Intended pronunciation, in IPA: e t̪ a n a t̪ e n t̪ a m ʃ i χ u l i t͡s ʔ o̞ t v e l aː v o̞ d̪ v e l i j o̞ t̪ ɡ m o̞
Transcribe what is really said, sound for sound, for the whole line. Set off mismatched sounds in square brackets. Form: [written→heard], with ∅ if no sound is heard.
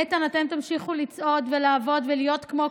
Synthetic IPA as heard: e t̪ a n a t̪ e [n→m] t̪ a m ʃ i χ u l i t͡s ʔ o̞ [t→d] v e l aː v o̞ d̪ v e l i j o̞ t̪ [ɡ→k] m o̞